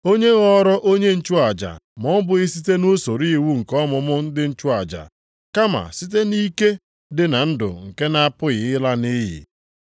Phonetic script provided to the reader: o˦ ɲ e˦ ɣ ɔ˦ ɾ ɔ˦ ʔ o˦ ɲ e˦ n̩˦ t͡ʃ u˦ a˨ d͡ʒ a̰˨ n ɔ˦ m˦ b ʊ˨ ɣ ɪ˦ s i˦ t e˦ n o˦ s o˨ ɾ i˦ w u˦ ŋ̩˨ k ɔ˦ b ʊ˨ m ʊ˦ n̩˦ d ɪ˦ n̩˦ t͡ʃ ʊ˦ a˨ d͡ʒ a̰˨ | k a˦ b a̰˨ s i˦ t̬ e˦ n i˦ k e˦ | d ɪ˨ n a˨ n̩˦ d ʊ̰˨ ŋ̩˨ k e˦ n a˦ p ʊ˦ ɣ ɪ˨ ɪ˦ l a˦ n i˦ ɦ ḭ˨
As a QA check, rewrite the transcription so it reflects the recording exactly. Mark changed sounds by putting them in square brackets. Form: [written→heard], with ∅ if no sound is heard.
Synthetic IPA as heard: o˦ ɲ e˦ ɣ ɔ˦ ɾ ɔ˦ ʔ o˦ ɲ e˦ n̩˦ t͡ʃ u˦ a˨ d͡ʒ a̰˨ [n→m] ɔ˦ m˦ b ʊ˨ ɣ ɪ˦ s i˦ t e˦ n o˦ s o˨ ɾ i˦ w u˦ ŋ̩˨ k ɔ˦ [b→m] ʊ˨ m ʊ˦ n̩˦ d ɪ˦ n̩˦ t͡ʃ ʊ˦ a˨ d͡ʒ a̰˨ | k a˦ [b→m] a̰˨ s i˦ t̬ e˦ n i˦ k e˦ | d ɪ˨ n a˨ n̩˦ d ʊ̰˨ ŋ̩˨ k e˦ n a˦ p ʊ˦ ɣ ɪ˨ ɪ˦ l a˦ n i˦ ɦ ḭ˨